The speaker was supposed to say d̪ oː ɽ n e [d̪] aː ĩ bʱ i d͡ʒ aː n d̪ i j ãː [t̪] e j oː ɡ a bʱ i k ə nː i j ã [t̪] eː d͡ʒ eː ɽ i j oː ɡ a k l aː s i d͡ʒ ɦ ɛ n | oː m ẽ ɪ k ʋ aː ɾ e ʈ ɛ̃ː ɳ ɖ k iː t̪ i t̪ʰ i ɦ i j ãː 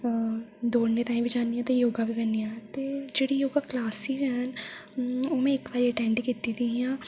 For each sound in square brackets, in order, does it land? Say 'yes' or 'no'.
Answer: no, yes, yes

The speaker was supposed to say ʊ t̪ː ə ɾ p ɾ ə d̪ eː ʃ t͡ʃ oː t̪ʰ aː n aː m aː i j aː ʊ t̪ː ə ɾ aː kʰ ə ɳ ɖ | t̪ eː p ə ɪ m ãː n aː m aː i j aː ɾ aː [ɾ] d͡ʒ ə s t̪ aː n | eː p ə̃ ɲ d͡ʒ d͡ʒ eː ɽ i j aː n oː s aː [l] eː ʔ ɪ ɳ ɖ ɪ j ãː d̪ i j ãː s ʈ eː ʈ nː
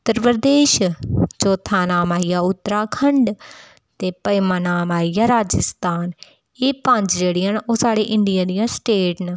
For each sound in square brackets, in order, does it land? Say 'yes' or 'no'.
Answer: no, no

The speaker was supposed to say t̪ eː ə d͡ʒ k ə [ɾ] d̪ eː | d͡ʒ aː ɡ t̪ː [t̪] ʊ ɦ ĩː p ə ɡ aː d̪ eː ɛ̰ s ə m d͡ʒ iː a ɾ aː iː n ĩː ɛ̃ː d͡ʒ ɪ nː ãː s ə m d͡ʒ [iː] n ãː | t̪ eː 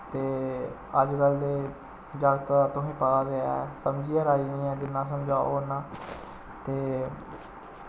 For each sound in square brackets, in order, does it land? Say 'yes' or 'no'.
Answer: no, yes, no

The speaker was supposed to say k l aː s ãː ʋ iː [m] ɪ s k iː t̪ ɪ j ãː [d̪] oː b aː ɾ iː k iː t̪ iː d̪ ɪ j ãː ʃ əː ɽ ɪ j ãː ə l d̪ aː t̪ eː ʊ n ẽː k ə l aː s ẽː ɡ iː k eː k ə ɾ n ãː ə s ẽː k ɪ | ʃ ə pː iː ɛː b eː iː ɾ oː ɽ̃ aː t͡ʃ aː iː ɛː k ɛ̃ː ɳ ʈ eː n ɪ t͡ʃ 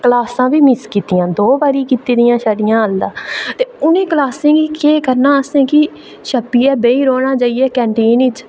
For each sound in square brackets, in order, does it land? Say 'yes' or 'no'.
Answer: yes, yes

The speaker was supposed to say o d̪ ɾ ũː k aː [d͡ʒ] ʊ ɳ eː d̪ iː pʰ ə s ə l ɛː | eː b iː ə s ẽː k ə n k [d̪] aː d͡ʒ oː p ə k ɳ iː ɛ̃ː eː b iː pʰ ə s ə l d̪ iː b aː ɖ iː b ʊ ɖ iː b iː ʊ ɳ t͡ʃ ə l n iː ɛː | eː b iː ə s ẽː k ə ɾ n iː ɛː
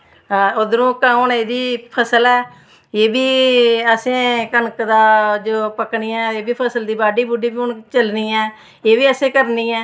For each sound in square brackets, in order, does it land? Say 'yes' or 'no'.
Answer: no, yes

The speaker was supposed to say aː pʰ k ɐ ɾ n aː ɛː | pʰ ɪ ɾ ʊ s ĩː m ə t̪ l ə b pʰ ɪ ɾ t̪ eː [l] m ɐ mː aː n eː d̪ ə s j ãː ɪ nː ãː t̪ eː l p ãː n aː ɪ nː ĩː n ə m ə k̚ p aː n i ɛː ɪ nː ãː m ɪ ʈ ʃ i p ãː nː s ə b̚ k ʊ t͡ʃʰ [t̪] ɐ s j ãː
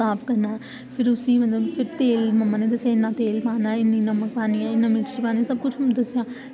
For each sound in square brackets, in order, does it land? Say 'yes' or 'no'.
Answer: yes, no

